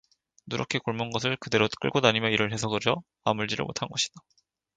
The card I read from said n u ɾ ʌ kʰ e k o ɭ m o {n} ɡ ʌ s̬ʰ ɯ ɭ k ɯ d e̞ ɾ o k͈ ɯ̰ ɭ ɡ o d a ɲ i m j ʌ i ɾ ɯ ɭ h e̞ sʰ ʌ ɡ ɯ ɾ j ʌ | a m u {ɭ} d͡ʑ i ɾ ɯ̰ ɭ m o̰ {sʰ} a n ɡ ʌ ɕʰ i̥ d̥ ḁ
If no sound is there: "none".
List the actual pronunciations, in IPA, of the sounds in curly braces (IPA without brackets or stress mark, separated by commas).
n, ɭ, tʰ